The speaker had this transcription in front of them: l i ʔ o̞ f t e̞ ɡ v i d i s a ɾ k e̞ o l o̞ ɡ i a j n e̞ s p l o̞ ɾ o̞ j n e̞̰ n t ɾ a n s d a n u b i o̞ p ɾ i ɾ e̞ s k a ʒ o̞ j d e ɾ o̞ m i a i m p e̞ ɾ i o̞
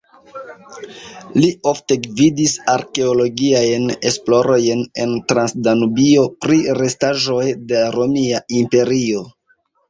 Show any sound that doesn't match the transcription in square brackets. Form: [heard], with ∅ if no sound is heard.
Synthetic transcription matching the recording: l i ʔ o̞ f t e̞ ɡ v i d i s a ɾ k e̞ o l o̞ ɡ i a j n e̞ s p l o̞ ɾ o̞ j n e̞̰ n t ɾ a n s d a n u b i o̞ p ɾ i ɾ e̞ s [t] a ʒ o̞ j d e ɾ o̞ m i a i m p e̞ ɾ i o̞